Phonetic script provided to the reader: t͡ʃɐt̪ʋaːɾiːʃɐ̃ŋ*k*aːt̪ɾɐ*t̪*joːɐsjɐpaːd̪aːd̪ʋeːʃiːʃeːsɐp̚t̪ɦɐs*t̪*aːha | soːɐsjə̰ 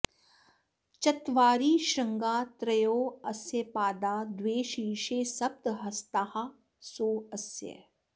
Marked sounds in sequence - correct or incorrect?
incorrect: ɡ, incorrect: none, correct

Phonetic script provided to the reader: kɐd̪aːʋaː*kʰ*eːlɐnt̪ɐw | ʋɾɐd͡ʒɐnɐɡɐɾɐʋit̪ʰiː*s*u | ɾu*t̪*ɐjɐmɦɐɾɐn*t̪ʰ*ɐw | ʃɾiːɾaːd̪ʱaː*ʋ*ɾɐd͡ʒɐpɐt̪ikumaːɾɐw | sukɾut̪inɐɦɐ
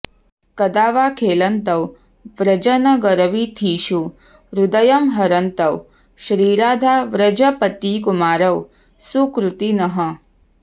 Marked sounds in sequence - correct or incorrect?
correct, incorrect: ʃ, incorrect: d̪, incorrect: t̪, correct

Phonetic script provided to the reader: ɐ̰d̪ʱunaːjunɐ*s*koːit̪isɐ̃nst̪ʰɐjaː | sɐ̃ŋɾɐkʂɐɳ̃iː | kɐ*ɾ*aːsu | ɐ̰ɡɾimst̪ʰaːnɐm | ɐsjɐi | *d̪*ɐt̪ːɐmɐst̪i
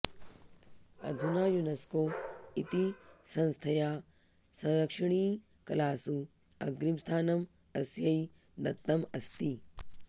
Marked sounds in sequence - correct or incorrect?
correct, incorrect: l, correct

